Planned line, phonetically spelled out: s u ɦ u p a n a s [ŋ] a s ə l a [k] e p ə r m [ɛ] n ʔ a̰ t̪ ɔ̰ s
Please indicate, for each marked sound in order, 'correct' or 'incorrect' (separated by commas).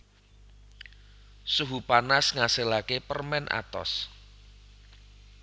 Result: correct, correct, correct